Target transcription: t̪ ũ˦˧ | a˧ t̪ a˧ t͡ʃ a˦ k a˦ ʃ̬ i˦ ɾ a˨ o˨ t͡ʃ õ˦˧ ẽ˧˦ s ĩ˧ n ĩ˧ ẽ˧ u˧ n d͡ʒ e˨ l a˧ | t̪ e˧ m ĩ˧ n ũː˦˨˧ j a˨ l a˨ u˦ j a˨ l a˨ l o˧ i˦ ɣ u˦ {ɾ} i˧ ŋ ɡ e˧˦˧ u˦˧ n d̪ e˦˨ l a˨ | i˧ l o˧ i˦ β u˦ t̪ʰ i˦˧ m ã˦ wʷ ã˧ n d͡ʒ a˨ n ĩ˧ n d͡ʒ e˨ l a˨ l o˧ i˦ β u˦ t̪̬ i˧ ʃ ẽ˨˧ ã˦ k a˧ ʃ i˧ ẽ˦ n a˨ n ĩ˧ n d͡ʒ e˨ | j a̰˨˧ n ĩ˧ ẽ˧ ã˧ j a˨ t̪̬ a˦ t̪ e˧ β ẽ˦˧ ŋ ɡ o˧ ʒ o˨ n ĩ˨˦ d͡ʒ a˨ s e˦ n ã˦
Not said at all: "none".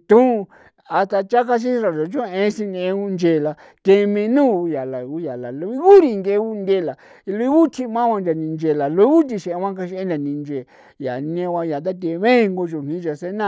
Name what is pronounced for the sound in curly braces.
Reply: ɾ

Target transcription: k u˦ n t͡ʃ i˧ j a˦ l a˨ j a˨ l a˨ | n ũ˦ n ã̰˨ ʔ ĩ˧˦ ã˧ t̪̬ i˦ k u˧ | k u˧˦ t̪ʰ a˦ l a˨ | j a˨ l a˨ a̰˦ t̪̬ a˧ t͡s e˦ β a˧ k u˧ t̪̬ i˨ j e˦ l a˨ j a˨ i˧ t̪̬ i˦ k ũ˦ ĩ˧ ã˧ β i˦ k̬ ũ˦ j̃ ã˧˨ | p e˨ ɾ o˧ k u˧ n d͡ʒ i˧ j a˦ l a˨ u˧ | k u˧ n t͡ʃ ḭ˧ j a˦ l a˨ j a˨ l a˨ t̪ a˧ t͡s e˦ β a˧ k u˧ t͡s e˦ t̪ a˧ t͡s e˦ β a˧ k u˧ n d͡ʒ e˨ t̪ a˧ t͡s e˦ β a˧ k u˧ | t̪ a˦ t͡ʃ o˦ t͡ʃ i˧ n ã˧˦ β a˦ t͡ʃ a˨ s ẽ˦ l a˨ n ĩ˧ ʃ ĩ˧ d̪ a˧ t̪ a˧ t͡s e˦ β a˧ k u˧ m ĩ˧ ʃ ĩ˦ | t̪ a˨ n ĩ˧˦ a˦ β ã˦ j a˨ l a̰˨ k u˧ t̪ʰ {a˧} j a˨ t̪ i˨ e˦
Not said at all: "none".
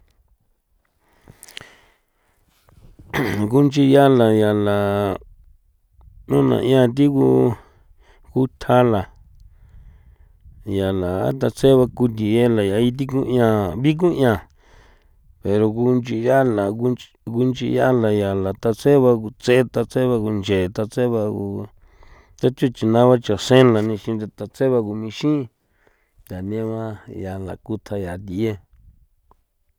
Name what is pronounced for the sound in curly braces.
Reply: a˧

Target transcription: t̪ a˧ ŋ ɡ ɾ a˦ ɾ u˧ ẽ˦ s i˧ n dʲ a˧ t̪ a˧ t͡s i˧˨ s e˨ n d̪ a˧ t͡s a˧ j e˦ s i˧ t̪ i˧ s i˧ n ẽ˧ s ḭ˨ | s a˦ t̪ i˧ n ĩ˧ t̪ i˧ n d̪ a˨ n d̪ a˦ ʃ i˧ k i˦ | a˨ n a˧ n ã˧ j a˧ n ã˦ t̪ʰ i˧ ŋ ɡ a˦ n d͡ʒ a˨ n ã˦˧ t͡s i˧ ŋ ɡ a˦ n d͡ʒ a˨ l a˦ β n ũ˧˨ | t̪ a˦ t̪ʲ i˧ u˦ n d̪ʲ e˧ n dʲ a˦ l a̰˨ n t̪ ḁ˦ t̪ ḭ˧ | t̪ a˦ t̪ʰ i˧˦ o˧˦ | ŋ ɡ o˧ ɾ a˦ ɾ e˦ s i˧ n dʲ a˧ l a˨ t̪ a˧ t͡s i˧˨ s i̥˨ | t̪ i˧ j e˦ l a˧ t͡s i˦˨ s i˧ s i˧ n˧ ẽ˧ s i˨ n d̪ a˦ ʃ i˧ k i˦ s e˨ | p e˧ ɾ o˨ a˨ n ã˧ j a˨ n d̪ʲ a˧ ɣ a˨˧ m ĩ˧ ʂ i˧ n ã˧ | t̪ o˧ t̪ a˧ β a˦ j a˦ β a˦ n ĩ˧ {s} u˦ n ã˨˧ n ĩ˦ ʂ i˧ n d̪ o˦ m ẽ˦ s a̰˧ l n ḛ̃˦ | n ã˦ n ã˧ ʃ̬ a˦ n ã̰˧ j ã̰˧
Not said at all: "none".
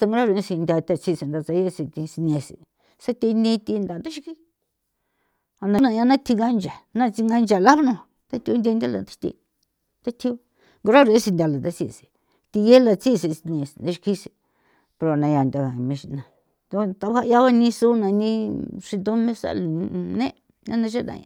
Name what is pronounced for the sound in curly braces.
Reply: s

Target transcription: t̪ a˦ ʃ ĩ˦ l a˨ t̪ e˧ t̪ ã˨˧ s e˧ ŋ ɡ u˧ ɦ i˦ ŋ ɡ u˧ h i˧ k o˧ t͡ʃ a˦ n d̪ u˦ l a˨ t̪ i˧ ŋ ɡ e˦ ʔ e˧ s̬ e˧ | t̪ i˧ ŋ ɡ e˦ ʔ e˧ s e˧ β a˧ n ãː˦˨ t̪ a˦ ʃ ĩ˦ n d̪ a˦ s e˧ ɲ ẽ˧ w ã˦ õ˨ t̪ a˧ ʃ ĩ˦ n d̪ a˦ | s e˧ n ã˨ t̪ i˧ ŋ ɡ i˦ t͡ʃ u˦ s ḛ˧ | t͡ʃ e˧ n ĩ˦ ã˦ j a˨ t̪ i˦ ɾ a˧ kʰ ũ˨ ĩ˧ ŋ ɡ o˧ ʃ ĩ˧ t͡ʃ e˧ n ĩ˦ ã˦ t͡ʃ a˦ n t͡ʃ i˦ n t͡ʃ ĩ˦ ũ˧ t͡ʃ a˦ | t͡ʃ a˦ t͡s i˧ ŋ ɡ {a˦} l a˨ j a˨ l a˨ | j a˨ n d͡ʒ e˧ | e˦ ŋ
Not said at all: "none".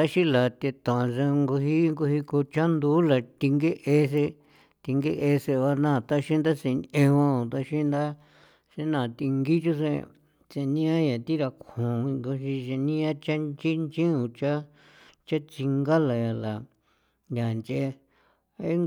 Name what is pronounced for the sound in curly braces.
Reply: a˦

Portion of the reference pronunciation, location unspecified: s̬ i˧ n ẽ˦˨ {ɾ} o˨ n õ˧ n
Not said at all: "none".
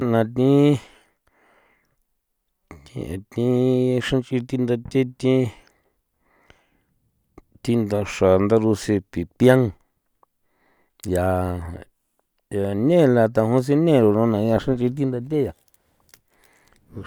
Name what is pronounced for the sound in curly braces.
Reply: ɾ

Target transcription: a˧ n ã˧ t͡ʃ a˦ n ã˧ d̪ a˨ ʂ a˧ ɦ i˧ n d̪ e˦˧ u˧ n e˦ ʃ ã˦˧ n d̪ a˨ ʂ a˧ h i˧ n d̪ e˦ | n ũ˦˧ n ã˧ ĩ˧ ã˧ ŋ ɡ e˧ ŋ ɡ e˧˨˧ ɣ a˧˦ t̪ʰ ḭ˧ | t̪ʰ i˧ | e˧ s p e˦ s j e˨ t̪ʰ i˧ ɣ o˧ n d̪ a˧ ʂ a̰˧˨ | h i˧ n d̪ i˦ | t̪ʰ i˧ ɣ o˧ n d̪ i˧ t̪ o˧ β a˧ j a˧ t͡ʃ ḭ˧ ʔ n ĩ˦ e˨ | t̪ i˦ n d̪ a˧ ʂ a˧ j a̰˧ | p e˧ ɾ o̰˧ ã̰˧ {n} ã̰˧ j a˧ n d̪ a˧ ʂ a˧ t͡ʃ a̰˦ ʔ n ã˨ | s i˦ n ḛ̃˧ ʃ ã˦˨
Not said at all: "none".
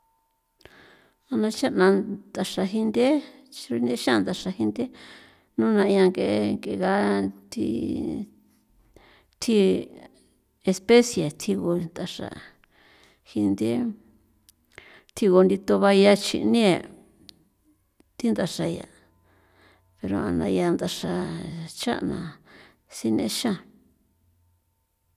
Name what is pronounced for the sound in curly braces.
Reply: n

